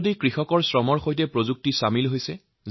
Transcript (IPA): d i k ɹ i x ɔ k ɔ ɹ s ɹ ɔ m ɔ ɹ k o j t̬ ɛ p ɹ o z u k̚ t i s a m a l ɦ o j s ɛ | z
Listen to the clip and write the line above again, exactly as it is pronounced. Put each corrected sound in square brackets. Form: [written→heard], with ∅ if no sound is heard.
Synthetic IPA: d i k ɹ i x ɔ k ɔ ɹ s ɹ ɔ m ɔ ɹ [k→x] o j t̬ ɛ p ɹ o z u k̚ t i s a m [a→i] l ɦ o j s ɛ | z